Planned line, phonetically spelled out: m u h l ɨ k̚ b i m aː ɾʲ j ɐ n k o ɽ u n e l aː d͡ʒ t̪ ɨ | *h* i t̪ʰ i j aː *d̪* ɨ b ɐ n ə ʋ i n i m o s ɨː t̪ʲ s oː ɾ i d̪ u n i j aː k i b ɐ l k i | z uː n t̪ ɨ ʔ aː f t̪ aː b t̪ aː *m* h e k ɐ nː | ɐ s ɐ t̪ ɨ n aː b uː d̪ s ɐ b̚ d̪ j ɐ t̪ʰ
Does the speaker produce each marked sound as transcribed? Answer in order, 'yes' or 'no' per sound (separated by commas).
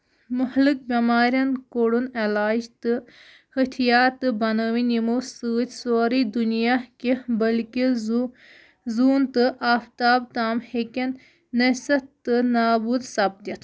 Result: yes, no, yes